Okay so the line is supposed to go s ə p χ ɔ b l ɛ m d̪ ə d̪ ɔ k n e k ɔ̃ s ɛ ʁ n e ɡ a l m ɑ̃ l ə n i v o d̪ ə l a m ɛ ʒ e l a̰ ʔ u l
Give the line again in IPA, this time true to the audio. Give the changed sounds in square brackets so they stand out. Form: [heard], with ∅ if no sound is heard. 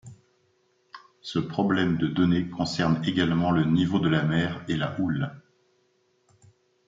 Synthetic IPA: s ə p χ ɔ b l ɛ m d̪ ə d̪ ɔ [∅] n e k ɔ̃ s ɛ ʁ n e ɡ a l m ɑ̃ l ə n i v o d̪ ə l a m ɛ [ʁ] e l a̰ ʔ u l